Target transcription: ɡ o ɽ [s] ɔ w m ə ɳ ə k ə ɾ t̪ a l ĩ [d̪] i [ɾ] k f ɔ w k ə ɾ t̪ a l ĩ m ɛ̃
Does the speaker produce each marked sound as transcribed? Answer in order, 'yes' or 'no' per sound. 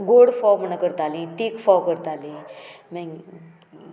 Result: no, no, no

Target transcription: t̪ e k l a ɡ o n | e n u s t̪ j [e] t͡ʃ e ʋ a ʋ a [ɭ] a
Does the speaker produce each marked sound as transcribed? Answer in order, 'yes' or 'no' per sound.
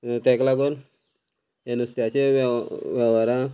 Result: no, no

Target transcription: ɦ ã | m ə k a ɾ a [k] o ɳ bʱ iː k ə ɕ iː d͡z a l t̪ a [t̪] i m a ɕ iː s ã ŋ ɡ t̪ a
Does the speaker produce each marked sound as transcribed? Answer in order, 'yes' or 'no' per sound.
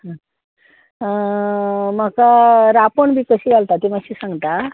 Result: no, yes

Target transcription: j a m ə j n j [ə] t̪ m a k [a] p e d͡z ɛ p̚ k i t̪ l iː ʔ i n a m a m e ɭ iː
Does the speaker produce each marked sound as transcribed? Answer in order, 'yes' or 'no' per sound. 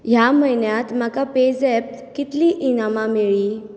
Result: no, yes

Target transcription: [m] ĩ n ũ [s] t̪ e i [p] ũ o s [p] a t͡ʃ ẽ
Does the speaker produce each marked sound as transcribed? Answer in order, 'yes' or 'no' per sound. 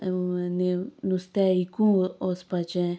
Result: no, yes, no, yes

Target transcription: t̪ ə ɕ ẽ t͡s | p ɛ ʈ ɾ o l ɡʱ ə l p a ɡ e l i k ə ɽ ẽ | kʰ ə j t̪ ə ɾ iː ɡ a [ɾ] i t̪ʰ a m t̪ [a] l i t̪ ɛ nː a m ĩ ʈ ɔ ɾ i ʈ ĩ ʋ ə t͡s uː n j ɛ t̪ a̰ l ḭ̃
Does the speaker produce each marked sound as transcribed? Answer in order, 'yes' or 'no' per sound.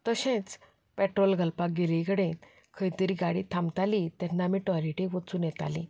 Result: no, yes

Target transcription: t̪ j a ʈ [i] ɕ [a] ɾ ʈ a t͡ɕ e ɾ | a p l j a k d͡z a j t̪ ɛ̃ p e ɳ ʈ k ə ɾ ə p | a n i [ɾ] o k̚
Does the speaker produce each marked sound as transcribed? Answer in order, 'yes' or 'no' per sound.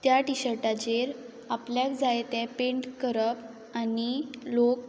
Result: yes, no, no

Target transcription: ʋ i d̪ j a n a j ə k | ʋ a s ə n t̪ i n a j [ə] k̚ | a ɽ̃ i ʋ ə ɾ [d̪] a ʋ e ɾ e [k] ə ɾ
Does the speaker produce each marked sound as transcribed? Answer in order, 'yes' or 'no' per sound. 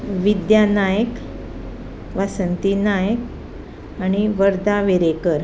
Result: yes, yes, yes

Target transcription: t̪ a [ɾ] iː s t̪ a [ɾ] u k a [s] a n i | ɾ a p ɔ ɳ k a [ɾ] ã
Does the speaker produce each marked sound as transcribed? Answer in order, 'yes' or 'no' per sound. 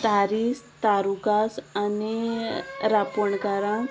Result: yes, yes, yes, yes

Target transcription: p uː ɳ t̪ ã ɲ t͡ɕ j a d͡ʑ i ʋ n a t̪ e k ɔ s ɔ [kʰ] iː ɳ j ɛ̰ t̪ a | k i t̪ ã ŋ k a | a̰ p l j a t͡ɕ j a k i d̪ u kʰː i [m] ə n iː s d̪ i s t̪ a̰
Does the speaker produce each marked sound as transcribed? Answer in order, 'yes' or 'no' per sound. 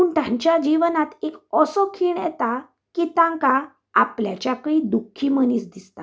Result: yes, yes

